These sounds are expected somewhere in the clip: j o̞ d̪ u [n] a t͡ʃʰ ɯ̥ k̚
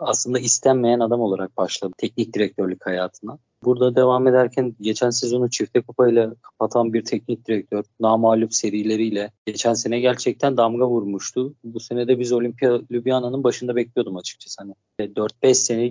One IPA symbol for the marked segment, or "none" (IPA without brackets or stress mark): m